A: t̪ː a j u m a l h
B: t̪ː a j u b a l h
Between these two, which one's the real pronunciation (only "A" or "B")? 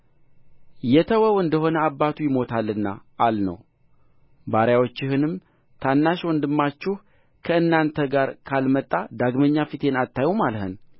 A